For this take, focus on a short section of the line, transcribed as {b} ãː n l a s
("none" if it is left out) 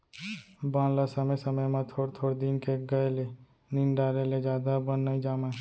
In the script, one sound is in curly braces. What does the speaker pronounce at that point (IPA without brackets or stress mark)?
b